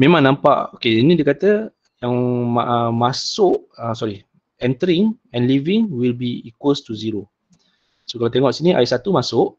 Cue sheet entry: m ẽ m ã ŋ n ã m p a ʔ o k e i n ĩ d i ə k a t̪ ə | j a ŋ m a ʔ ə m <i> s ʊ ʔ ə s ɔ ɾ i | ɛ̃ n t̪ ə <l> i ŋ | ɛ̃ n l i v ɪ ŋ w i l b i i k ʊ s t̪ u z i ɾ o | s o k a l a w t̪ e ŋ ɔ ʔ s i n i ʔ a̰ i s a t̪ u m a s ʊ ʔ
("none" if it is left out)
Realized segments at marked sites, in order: a, ɾ

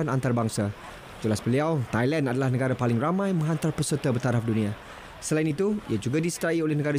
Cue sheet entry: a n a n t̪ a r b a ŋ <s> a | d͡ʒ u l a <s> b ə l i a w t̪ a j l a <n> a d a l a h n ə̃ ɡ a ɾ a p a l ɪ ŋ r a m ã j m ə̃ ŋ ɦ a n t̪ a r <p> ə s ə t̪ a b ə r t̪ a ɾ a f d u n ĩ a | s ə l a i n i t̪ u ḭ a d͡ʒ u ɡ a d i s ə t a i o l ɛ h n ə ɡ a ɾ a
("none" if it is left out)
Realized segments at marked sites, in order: s, s, n, p

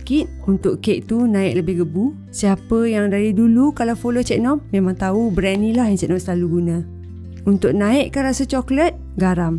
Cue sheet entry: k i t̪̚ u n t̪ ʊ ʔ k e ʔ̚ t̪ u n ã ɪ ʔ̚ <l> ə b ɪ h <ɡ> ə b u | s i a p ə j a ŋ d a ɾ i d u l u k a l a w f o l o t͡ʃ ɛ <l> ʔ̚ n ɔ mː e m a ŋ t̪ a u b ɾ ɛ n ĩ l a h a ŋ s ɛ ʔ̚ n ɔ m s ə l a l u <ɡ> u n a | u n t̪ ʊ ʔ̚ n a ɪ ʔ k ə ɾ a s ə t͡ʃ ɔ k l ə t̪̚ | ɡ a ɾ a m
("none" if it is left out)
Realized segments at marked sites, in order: l, ɡ, none, ɡ

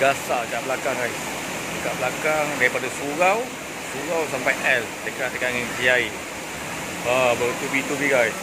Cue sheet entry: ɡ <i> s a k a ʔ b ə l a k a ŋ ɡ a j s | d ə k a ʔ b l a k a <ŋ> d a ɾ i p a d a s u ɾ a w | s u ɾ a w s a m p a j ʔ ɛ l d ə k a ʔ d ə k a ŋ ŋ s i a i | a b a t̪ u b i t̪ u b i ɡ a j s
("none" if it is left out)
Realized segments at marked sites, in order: a, ŋ

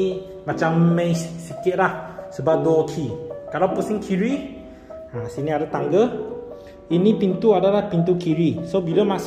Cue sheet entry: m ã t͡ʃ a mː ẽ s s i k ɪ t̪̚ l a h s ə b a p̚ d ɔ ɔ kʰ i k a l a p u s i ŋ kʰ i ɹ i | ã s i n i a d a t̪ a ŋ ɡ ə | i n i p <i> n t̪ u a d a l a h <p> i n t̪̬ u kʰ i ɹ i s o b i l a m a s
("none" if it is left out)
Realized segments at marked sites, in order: i, p

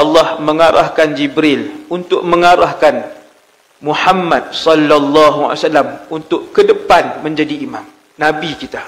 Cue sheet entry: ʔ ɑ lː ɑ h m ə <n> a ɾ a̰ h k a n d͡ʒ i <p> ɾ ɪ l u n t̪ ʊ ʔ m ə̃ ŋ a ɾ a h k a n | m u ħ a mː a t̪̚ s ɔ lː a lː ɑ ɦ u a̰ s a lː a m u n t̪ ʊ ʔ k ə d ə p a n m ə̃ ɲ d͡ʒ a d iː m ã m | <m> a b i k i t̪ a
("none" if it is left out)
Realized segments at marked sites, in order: ŋ, b, n

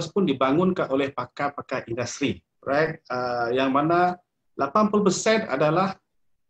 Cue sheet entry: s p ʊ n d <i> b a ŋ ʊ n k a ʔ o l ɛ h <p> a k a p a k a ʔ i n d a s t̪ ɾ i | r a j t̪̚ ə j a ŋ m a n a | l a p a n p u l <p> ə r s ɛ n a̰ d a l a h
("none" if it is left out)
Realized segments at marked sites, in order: i, p, p

